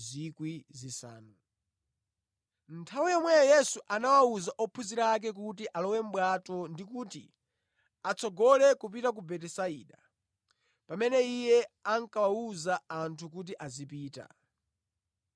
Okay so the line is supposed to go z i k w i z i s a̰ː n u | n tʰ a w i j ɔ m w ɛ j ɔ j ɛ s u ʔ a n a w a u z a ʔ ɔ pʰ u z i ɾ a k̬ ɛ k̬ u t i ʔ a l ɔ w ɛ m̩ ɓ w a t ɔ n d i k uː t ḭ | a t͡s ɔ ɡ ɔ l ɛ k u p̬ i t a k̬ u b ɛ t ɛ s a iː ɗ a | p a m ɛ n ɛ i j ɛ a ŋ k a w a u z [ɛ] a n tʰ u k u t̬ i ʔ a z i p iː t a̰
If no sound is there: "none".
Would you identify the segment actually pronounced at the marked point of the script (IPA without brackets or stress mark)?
a